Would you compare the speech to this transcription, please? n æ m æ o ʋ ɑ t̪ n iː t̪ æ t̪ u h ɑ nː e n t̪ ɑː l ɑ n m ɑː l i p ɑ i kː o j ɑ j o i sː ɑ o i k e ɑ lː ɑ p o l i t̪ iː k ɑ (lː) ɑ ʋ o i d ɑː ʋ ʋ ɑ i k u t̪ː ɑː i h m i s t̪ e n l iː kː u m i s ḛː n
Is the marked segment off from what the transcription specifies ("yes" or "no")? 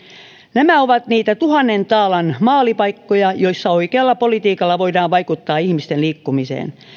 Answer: no